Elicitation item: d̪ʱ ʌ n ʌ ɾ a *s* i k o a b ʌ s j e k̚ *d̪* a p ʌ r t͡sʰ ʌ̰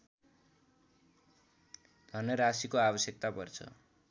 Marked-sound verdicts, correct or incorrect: correct, incorrect

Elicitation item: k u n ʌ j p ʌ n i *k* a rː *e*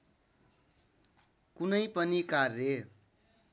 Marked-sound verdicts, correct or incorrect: correct, correct

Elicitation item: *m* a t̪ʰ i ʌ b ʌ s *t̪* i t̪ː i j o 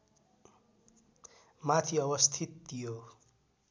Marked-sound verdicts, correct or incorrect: correct, incorrect

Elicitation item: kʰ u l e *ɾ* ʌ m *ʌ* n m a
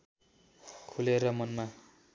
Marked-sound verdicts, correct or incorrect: correct, correct

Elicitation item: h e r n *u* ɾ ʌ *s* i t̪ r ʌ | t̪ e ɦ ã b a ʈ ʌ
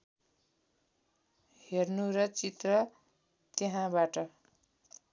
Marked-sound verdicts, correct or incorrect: correct, incorrect

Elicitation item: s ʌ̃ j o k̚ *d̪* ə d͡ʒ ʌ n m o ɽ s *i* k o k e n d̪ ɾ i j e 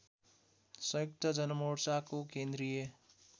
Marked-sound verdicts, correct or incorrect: incorrect, incorrect

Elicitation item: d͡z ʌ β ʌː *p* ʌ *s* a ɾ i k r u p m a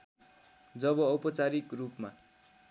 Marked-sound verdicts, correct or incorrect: correct, incorrect

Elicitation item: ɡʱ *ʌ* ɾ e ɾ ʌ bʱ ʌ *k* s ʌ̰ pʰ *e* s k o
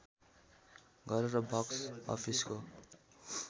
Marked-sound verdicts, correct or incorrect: correct, correct, incorrect

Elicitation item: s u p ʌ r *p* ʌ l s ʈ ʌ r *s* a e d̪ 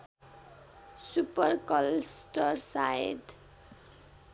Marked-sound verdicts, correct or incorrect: incorrect, correct

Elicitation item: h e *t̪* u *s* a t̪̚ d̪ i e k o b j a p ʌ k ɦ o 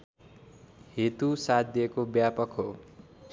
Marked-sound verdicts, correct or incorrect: correct, correct

